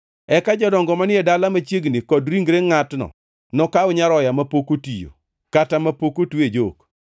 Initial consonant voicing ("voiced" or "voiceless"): voiceless